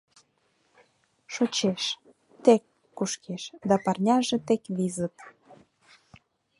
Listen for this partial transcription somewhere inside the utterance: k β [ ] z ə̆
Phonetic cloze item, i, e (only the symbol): i